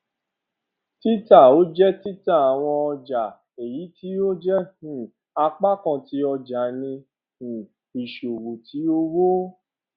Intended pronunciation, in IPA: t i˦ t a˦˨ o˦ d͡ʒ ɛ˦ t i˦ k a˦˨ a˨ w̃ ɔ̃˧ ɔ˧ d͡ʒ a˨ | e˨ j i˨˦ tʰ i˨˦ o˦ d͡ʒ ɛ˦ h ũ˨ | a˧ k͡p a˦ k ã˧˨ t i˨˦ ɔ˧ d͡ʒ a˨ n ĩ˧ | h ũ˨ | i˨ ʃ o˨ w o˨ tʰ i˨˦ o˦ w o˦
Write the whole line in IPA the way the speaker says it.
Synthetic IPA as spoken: t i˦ t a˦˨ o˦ d͡ʒ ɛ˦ t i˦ t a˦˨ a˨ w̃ ɔ̃˧ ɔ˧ d͡ʒ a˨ | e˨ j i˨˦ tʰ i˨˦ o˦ d͡ʒ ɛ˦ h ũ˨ | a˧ k͡p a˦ k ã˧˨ t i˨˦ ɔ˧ d͡ʒ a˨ n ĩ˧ | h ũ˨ | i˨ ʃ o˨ w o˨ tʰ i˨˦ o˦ w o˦